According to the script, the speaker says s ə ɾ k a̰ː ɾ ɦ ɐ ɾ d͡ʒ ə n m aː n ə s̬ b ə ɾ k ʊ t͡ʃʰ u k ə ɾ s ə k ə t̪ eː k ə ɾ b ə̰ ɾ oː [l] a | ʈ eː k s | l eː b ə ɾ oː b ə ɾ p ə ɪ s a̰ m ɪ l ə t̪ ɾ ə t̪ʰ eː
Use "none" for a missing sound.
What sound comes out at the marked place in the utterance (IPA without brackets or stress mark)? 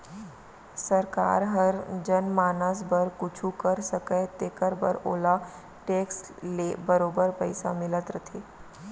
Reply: l